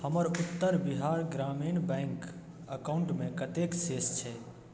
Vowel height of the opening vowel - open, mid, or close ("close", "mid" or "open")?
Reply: mid